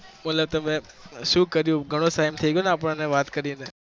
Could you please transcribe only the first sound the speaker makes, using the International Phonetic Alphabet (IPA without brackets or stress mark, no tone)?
m